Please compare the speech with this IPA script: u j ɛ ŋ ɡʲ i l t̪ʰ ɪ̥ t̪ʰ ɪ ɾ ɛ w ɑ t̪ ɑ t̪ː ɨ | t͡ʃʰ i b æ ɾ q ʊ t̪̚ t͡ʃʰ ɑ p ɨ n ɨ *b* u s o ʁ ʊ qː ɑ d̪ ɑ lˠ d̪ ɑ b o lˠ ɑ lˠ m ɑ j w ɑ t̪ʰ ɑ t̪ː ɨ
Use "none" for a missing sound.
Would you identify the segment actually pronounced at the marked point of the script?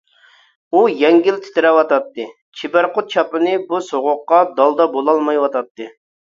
b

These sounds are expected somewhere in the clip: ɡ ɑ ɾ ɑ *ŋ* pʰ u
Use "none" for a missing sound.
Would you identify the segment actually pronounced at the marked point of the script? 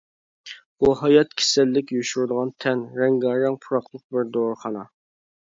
ŋ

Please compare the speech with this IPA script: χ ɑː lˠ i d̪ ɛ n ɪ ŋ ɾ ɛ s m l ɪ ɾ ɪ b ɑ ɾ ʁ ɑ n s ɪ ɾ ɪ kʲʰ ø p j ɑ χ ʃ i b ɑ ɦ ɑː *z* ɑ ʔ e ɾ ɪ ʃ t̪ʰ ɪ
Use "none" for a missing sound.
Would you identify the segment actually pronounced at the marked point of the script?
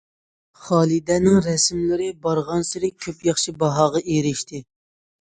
ʁ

